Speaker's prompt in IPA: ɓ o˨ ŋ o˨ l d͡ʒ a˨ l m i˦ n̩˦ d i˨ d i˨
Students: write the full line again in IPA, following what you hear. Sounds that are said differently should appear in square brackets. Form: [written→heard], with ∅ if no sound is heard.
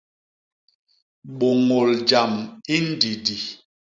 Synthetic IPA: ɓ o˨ ŋ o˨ l d͡ʒ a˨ [l→∅] m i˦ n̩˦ d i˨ d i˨

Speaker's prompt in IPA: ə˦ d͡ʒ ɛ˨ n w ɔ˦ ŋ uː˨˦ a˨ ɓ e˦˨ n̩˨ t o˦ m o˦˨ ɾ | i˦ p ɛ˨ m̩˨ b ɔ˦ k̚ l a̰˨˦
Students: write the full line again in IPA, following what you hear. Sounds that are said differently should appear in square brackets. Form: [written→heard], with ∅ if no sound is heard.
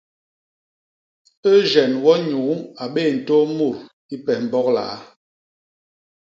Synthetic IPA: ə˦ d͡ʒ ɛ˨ n w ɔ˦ [ŋ→ɲ] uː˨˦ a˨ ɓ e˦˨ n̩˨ t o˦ m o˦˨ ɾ | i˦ p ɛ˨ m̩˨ b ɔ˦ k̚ l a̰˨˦

